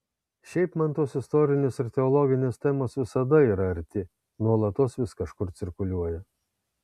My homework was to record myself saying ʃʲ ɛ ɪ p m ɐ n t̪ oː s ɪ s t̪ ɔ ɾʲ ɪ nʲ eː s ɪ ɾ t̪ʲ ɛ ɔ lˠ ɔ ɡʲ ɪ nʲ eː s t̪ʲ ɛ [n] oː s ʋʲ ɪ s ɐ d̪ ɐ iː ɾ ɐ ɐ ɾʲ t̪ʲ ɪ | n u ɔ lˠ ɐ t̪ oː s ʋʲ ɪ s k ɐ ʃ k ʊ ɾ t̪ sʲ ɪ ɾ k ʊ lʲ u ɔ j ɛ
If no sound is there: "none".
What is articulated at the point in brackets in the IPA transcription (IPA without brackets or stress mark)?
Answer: m